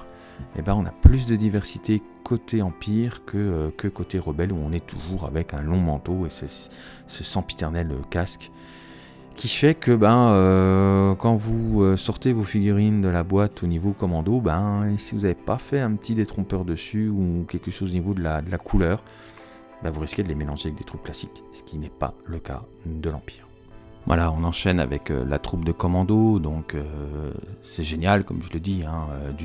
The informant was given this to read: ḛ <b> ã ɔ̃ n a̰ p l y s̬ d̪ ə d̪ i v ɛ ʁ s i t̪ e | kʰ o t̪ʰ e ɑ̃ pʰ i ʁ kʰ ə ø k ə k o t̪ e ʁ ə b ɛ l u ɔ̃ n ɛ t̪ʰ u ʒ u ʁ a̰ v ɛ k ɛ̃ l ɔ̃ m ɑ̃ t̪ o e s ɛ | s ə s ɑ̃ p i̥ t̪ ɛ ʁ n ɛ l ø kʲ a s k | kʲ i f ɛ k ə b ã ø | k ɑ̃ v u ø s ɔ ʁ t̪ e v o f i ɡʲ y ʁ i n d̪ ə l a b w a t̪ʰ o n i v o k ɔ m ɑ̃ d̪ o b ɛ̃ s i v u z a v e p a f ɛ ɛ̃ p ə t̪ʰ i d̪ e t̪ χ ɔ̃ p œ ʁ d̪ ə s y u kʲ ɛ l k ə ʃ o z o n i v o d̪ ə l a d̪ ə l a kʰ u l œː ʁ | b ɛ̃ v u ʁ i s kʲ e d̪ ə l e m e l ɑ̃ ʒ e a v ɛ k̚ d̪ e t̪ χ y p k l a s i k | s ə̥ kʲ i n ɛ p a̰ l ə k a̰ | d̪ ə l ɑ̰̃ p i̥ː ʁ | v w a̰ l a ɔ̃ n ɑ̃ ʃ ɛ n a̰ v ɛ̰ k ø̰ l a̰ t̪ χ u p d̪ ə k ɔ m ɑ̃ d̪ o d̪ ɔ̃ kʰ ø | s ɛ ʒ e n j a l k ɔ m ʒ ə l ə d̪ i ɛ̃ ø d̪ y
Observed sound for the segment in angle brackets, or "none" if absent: b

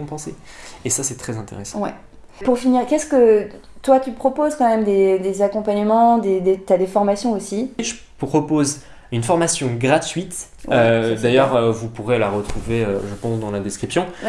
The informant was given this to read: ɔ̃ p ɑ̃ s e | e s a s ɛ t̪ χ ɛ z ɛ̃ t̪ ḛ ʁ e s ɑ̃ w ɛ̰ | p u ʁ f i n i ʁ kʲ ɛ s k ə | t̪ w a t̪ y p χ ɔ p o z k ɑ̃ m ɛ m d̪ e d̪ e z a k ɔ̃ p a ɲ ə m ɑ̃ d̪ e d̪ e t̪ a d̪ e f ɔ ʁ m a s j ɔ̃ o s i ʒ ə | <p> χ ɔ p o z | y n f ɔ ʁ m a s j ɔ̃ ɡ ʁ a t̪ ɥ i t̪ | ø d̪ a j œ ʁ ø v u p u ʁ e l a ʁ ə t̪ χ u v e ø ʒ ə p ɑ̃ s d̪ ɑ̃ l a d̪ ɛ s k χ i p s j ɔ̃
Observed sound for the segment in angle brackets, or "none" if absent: p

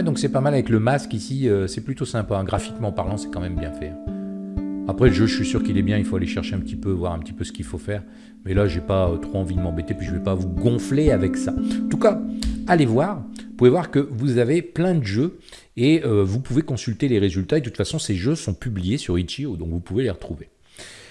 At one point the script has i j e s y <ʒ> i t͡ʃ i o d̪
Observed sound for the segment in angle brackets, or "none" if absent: ʁ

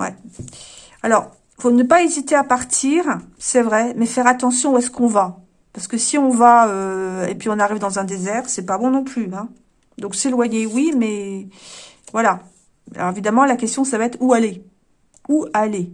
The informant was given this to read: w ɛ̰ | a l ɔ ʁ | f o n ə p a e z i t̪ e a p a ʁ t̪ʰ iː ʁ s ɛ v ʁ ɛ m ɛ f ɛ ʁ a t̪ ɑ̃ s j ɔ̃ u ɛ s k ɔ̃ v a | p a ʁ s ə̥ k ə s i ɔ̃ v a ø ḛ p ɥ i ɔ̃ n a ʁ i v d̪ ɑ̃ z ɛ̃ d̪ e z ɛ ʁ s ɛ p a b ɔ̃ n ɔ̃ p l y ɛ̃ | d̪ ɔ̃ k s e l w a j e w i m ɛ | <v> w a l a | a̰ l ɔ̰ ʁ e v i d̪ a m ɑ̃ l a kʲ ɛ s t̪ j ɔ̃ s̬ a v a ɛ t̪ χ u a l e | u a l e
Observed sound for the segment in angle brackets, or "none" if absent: v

